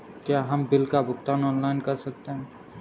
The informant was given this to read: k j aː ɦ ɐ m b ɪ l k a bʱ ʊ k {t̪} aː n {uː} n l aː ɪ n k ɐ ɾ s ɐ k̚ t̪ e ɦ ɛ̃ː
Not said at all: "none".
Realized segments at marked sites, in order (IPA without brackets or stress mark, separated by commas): t̪, ɔː